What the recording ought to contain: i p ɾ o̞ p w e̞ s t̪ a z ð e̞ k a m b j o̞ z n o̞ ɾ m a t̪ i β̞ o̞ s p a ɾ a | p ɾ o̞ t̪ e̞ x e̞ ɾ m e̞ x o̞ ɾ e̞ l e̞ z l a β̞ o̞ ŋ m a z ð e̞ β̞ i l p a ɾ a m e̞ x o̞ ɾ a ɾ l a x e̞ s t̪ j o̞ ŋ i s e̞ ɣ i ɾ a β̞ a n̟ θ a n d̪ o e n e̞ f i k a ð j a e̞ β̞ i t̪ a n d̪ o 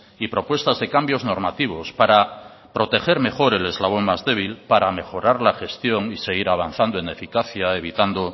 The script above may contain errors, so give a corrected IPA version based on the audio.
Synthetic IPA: i p ɾ o̞ p w e̞ s t̪ a z ð e̞ k a m b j o̞ z n o̞ ɾ m a t̪ i β̞ o̞ s p a ɾ a | p ɾ o̞ t̪ e̞ x e̞ ɾ m e̞ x o̞ ɾ e̞ l e̞ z l a β̞ o̞ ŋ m a z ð e̞ β̞ i l p a ɾ a m e̞ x o̞ ɾ a ɾ l a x e̞ s t̪ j o̞ ŋ i s e̞ ɣ i ɾ a β̞ a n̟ θ a n d̪ o e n e̞ f i k a θ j a e̞ β̞ i t̪ a n d̪ o

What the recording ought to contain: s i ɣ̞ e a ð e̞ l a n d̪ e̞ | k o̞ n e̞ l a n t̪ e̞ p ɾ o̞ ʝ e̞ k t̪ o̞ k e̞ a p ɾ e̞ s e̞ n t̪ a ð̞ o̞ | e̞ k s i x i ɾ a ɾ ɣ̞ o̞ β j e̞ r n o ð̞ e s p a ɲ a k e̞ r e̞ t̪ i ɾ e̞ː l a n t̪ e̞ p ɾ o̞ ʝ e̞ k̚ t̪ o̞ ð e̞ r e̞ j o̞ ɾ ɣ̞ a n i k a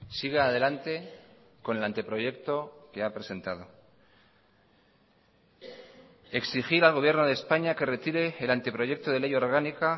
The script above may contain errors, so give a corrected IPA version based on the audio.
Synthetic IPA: s i ɣ̞ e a ð e̞ l a n t̪ e̞ | k o̞ n e̞ l a n t̪ e̞ p ɾ o̞ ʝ e̞ k t̪ o̞ k e̞ a p ɾ e̞ s e̞ n t̪ a ð̞ o̞ | e̞ k s i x i ɾ a l ɣ̞ o̞ β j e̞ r n o ð̞ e s p a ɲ a k e̞ r e̞ t̪ i ɾ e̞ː l a n t̪ e̞ p ɾ o̞ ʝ e̞ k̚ t̪ o̞ ð e̞ l e̞ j o̞ ɾ ɣ̞ a n i k a

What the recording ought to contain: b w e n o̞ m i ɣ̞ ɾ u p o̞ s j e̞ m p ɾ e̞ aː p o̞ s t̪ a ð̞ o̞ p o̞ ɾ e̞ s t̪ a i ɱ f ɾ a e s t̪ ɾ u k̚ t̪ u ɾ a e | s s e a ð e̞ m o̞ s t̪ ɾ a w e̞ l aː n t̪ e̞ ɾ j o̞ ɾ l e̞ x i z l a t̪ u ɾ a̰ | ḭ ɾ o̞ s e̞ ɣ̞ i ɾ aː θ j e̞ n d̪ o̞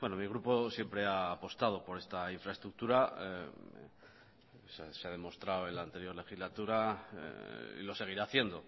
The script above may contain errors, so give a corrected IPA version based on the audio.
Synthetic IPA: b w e n o̞ m i ɣ̞ ɾ u p o̞ s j e̞ m p ɾ e̞ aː p o̞ s t̪ a ð̞ o̞ p o̞ ɾ e̞ s t̪ a i ɱ f ɾ a e s t̪ ɾ u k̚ t̪ u ɾ a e | s s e a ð e̞ m o̞ s t̪ ɾ a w e̞ l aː n t̪ e̞ ɾ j o̞ ɾ l e̞ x i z l a t̪ u ɾ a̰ | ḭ l o̞ s e̞ ɣ̞ i ɾ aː θ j e̞ n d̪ o̞

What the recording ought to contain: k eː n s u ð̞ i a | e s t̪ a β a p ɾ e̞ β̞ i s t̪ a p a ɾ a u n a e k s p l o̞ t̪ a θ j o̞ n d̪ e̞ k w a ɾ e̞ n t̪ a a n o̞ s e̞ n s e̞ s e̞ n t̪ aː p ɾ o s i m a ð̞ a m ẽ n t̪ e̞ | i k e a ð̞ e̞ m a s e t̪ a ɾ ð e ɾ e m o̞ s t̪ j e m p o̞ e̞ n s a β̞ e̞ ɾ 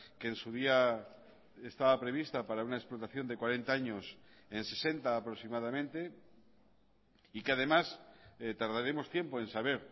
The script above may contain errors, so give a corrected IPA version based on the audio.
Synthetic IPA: k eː n s u ð̞ i a | e s t̪ a β a p ɾ e̞ β̞ i s t̪ a p a ɾ a u n a e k s p l o̞ t̪ a θ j o̞ n d̪ e̞ k w a ɾ e̞ n t̪ a a ɲ o̞ s e̞ n s e̞ s e̞ n t̪ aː p ɾ o s i m a ð̞ a m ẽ n t̪ e̞ | i k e a ð̞ e̞ m a s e t̪ a ɾ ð a ɾ e m o̞ s t̪ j e m p o̞ e̞ n s a β̞ e̞ ɾ

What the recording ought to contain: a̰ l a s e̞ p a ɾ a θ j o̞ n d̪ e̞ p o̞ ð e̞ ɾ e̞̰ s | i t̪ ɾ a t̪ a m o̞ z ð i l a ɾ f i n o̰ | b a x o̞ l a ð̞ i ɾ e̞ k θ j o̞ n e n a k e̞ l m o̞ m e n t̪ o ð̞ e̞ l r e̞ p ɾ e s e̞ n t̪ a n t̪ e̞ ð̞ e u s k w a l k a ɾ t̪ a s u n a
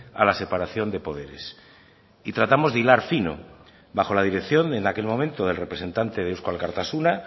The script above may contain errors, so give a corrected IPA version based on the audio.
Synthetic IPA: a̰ l a s e̞ p a ɾ a θ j o̞ n d̪ e̞ p o̞ ð e̞ ɾ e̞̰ s | i t̪ ɾ a t̪ a m o̞ z ð i l a ɾ f i n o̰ | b a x o̞ l a ð̞ i ɾ e̞ k θ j o̞ n e n a k e̞ l m o̞ m ẽ n t̪ o ð̞ e̞ l r e̞ p ɾ e s e̞ n t̪ a n t̪ e̞ ð̞ e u s k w a l k a ɾ t̪ a s u n a

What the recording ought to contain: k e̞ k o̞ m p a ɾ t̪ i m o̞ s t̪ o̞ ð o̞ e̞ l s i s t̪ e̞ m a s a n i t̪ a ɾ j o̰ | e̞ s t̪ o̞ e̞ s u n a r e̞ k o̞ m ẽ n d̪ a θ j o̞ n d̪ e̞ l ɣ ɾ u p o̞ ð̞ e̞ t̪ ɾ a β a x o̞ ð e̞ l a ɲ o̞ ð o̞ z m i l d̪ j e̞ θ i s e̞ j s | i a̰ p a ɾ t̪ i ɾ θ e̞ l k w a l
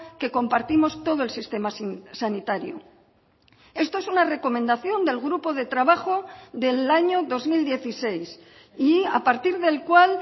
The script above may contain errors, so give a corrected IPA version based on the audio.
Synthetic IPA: k e̞ k o̞ m p a ɾ t̪ i m o̞ s t̪ o̞ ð o̞ e̞ l s i s t̪ e̞ m a s a n i t̪ a ɾ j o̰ | e̞ s t̪ o̞ e̞ s u n a r e̞ k o̞ m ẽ n d̪ a θ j o̞ n d̪ e̞ l ɣ ɾ u p o̞ ð̞ e̞ t̪ ɾ a β a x o̞ ð e̞ l a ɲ o̞ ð o̞ z m i l d̪ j e̞ θ i s e̞ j s | i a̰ p a ɾ t̪ i ɾ ð e̞ l k w a l

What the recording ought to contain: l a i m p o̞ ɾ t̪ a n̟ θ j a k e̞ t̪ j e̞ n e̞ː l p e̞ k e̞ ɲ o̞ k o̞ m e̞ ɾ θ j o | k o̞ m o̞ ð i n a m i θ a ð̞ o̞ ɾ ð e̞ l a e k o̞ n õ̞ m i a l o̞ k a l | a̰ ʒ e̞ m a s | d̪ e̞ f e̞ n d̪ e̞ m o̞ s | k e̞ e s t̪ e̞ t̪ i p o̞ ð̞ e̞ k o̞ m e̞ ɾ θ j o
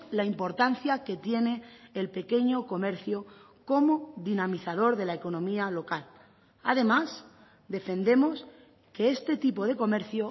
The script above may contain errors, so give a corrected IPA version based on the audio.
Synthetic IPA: l a i m p o̞ ɾ t̪ a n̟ θ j a k e̞ t̪ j e̞ n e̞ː l p e̞ k e̞ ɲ o̞ k o̞ m e̞ ɾ θ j o | k o̞ m o̞ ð i n a m i θ a ð̞ o̞ ɾ ð e̞ l a e k o̞ n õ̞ m i a l o̞ k a l | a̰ ð e̞ m a s | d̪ e̞ f e̞ n d̪ e̞ m o̞ s | k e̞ e s t̪ e̞ t̪ i p o̞ ð̞ e̞ k o̞ m e̞ ɾ θ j o

